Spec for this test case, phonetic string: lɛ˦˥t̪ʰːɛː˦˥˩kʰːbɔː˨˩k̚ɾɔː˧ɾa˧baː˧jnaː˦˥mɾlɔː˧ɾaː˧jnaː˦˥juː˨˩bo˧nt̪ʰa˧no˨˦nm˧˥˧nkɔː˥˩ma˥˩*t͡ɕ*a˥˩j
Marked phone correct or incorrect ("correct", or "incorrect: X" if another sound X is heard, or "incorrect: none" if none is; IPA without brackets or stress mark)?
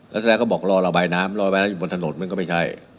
incorrect: t͡ɕʰ